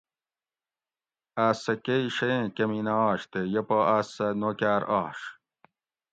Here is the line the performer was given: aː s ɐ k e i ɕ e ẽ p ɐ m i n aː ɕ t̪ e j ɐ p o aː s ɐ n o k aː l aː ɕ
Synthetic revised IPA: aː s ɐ k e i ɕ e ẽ k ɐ m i n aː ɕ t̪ e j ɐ p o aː s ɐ n o k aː ɾ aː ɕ